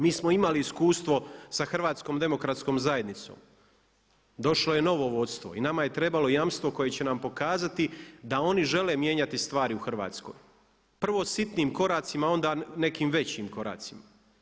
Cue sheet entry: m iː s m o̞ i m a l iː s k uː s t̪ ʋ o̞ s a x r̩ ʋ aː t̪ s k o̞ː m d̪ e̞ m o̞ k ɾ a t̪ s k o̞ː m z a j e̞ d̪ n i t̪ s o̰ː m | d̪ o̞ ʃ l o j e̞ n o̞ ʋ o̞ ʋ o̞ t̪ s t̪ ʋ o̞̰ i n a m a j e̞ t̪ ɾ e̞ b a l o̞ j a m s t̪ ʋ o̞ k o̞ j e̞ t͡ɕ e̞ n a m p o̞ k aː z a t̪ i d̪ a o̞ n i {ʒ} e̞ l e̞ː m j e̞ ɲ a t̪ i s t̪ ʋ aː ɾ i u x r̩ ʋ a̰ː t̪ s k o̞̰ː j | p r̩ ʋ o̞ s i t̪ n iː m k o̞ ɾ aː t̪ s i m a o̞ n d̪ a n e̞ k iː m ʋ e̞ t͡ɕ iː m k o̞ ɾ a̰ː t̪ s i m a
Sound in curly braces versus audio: correct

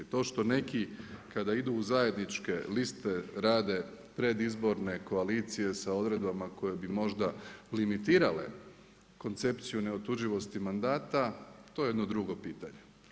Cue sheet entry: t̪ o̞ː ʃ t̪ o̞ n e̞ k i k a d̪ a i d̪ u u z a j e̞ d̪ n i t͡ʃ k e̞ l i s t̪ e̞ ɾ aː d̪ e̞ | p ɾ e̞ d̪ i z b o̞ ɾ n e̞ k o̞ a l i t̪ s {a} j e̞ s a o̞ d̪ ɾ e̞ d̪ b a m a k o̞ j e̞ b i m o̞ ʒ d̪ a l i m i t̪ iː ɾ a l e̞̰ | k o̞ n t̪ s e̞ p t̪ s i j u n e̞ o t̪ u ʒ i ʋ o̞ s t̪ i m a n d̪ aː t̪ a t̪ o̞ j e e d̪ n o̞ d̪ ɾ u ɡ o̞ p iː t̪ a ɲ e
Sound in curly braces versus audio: incorrect: i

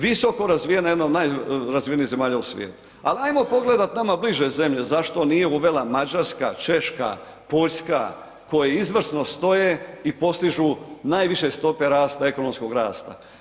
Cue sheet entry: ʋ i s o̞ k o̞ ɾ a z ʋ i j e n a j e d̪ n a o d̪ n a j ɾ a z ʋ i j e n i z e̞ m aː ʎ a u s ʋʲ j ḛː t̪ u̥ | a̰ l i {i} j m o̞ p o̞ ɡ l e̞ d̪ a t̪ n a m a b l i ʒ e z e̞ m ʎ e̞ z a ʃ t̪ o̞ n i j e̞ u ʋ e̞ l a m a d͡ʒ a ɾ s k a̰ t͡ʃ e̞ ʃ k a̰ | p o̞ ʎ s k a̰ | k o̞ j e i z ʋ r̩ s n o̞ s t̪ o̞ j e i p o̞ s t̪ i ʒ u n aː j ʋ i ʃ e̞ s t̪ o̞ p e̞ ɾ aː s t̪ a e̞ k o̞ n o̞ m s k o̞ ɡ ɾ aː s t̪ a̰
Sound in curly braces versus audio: incorrect: a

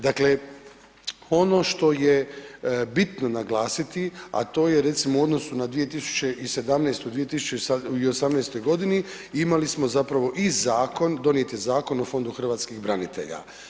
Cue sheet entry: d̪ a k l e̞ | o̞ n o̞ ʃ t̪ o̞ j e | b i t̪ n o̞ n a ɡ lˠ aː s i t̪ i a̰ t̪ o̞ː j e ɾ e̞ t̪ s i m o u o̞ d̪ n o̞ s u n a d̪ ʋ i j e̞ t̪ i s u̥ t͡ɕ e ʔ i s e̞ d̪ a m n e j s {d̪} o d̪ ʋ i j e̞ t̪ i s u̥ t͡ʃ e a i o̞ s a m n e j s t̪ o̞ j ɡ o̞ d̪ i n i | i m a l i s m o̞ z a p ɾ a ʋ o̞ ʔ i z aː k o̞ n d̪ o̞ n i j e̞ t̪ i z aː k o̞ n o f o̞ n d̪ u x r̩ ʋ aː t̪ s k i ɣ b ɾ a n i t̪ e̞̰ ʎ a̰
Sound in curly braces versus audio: incorrect: t̪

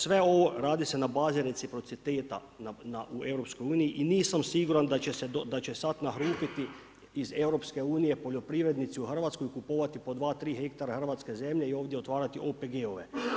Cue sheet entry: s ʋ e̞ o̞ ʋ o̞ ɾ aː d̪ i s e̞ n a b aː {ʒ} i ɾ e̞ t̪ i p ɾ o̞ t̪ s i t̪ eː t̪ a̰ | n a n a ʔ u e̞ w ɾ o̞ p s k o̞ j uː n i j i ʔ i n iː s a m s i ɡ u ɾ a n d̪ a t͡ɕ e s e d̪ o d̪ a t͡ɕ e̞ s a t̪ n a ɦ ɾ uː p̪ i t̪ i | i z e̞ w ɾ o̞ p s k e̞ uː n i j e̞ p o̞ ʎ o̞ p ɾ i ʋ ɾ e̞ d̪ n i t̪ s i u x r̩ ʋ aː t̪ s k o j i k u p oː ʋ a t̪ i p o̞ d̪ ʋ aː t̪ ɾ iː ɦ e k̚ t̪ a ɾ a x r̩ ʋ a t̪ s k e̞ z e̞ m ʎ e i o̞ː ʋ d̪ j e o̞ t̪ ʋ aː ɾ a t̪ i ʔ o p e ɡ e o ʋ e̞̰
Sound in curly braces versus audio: incorrect: z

